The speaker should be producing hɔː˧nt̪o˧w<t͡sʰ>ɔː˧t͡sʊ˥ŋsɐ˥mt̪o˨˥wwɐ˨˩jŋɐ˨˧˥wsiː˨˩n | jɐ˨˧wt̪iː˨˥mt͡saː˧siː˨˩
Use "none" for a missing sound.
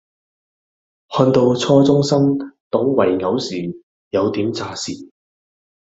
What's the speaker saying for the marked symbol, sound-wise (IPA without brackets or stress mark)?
t͡sʰ